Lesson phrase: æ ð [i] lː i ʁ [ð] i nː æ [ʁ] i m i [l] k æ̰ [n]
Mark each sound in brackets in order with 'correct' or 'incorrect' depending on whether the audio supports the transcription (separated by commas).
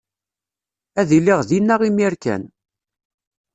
correct, correct, correct, incorrect, correct